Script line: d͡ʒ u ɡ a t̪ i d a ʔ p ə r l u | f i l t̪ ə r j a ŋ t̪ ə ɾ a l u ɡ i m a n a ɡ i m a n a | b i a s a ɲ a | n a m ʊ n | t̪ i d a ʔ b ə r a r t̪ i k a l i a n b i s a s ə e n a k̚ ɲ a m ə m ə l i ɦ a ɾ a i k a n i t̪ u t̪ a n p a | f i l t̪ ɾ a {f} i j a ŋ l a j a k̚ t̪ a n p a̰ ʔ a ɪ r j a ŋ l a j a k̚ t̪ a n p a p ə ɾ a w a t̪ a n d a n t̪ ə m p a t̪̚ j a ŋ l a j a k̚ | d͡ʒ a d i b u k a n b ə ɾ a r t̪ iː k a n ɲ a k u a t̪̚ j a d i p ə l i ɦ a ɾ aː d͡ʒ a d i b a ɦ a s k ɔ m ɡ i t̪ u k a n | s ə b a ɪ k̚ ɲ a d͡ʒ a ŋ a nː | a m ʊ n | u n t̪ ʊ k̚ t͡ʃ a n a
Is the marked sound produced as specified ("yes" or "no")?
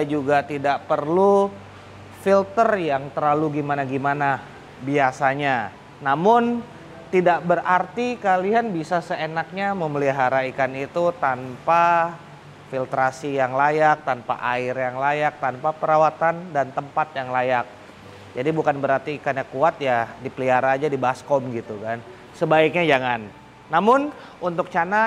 no